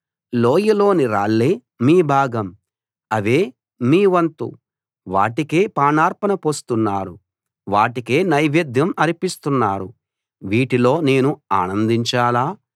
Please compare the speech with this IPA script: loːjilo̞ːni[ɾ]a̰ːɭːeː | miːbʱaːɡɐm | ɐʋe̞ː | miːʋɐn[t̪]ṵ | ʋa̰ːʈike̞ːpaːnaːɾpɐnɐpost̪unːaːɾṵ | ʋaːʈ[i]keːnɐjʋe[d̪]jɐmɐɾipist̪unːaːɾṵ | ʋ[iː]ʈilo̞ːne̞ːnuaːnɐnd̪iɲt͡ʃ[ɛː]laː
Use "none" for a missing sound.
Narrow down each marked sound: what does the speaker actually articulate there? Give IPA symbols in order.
ɾ, t̪, i, d̪, iː, aː

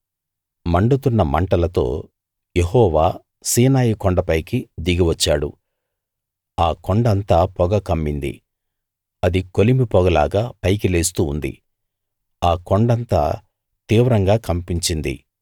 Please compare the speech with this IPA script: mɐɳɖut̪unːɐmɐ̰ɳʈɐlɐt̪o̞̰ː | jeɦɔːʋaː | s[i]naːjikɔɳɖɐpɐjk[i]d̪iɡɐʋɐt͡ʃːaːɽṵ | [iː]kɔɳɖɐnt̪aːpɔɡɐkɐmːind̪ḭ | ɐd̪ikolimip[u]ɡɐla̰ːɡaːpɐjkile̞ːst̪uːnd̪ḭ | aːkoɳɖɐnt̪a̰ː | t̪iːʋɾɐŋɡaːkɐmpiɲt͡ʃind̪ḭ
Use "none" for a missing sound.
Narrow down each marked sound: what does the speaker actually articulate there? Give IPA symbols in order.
iː, i, aː, ɔ

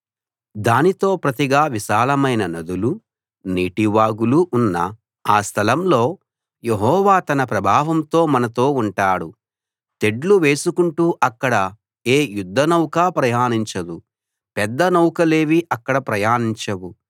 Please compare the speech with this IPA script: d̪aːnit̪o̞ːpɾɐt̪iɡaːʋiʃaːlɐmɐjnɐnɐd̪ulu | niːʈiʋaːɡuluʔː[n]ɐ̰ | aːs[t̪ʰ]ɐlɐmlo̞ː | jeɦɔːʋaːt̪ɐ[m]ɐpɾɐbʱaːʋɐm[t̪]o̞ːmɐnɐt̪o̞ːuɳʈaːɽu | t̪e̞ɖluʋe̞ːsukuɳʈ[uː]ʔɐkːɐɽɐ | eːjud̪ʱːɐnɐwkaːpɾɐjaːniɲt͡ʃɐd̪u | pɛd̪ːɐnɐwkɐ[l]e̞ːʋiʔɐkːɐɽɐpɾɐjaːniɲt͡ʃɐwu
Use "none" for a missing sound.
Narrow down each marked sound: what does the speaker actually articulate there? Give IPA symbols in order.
nː, t̪ʰ, n, t̪, uː, l

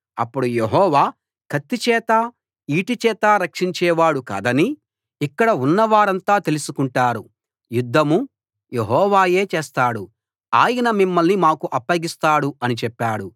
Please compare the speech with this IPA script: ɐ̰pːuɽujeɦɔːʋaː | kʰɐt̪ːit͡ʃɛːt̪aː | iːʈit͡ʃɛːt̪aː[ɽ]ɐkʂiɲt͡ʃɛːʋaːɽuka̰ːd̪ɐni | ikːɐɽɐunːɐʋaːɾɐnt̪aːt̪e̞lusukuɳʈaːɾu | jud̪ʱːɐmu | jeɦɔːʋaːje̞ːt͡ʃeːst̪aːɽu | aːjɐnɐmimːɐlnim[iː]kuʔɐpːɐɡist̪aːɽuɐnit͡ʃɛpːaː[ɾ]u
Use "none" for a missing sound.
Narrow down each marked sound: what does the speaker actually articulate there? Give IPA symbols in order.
ɾ, aː, ɽ

